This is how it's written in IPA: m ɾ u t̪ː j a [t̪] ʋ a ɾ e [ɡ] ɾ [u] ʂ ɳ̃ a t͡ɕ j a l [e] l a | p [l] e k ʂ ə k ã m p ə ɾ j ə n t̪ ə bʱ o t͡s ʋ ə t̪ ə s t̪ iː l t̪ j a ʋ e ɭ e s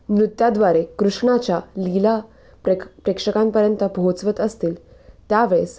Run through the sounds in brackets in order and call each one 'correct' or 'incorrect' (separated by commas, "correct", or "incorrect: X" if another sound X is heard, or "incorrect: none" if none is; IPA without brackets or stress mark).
incorrect: d̪, incorrect: k, correct, incorrect: i, incorrect: ɾ